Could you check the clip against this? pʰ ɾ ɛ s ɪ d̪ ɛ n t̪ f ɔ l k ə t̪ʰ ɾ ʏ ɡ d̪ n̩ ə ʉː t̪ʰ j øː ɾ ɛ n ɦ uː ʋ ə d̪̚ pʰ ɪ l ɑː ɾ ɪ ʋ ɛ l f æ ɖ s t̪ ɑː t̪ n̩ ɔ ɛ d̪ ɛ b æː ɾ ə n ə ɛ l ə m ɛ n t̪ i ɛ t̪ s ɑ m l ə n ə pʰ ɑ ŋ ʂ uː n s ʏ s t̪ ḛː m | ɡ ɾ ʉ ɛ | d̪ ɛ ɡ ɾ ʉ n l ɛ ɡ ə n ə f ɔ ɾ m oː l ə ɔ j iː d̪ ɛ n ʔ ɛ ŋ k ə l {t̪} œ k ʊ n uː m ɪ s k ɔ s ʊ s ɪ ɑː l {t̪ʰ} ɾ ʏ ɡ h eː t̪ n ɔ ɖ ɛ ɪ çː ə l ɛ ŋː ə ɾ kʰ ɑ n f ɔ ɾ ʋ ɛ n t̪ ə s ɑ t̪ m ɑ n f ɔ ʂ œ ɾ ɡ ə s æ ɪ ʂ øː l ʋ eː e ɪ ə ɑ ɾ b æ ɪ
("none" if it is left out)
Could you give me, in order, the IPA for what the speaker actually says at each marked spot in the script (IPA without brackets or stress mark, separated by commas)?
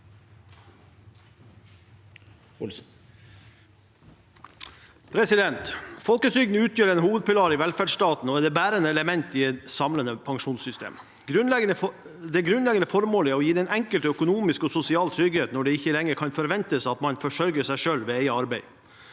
t̪, t̪ʰ